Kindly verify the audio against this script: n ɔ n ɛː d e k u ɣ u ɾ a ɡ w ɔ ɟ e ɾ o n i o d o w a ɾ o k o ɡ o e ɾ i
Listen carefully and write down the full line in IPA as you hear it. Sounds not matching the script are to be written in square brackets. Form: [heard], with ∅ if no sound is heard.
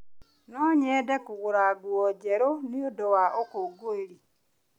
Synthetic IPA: n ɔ [ɲ] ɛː d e k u ɣ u ɾ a ɡ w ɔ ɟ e ɾ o n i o d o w a [∅] o k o ɡ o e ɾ i